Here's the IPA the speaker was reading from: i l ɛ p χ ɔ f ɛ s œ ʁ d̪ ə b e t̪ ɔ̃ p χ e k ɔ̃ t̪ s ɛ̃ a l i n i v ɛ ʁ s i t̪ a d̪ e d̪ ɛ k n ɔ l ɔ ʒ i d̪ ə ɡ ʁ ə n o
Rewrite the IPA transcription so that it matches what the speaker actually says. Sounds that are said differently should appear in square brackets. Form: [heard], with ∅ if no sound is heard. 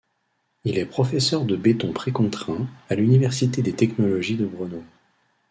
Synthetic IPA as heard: i l ɛ p χ ɔ f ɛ s œ ʁ d̪ ə b e t̪ ɔ̃ p χ e k ɔ̃ t̪ [χ] ɛ̃ a l [y] n i v ɛ ʁ s i t̪ [e] d̪ e [t̪] ɛ k n ɔ l ɔ ʒ i d̪ ə [b] ʁ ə n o

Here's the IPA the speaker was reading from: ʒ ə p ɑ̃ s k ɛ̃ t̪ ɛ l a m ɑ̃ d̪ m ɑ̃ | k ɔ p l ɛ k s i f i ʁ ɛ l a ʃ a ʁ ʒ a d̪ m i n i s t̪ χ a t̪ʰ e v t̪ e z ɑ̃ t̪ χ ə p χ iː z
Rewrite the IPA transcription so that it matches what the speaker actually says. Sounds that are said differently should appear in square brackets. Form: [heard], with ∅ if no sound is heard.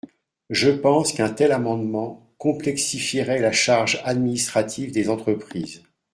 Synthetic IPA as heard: ʒ ə p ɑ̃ s k ɛ̃ t̪ ɛ l a m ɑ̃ d̪ m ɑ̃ | k [ɔ̃] p l ɛ k s i f i ʁ ɛ l a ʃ a ʁ ʒ a d̪ m i n i s t̪ χ a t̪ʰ [i] v [d̪] e z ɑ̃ t̪ χ ə p χ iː z

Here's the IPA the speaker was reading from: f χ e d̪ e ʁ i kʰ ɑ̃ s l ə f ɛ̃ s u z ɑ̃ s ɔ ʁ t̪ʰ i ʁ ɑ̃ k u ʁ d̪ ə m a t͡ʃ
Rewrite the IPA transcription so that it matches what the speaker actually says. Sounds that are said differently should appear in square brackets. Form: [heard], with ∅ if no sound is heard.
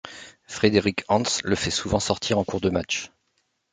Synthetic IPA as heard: f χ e d̪ e ʁ i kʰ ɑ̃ s l ə f [ɛ] s u [v] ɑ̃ s ɔ ʁ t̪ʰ i ʁ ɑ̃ k u ʁ d̪ ə m a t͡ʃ

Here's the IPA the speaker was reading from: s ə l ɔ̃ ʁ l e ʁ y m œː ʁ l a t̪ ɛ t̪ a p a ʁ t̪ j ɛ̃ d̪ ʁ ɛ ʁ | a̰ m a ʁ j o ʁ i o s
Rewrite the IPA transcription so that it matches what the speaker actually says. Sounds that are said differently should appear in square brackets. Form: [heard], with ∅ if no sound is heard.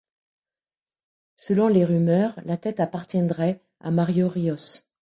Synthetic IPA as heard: s ə l ɔ̃ [∅] l e ʁ y m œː ʁ l a t̪ ɛ t̪ a p a ʁ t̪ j ɛ̃ d̪ ʁ ɛ [∅] | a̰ m a ʁ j o ʁ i [ɔ] s

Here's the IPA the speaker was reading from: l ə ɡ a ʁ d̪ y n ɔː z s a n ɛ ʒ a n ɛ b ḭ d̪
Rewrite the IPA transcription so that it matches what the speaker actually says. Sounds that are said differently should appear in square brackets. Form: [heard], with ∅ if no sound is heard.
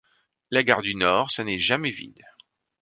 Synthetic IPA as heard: l [a] ɡ a ʁ d̪ y n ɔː [ʁ] s a n ɛ ʒ a [m] ɛ [v] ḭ d̪

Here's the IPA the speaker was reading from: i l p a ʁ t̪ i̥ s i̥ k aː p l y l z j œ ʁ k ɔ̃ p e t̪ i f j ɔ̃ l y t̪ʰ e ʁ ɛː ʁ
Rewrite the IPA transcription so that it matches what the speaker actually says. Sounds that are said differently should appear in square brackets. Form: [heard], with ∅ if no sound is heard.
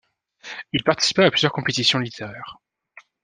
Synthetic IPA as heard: i l p a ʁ t̪ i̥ s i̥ [p] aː p l y [∅] z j œ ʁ k ɔ̃ p e t̪ i [s] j ɔ̃ l [i] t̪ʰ e ʁ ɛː ʁ

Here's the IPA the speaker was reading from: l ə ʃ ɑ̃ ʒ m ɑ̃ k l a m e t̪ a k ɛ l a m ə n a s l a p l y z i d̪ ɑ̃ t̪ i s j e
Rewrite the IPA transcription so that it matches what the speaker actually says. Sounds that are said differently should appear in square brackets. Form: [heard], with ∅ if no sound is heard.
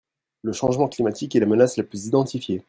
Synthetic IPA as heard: l ə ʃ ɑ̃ ʒ m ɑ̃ k l [i] m [a] t̪ [i] k ɛ l a m ə n a s l a p l y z i d̪ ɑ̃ t̪ i [f] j e

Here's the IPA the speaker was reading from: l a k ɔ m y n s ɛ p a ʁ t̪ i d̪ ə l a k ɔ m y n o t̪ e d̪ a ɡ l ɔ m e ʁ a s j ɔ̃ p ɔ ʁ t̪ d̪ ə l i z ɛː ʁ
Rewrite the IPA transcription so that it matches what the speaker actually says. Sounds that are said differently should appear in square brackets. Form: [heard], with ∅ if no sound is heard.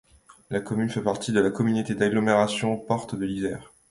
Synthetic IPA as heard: l a k ɔ m y n [f] ɛ p a ʁ t̪ i d̪ ə l a k ɔ m y n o t̪ e d̪ a ɡ l ɔ m e ʁ a s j ɔ̃ p ɔ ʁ t̪ d̪ ə l i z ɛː ʁ

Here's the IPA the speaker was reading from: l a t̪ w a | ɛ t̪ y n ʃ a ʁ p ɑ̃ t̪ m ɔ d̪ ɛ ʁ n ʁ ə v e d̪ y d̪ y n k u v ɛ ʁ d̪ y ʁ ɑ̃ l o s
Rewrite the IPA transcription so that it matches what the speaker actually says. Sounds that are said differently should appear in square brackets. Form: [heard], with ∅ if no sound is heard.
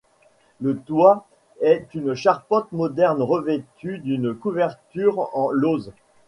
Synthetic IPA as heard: l [ə] t̪ w a | ɛ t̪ y n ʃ a ʁ p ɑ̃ t̪ m ɔ d̪ ɛ ʁ n ʁ ə v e [t̪] y d̪ y n k u v ɛ ʁ [t̪] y ʁ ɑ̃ l o [z]

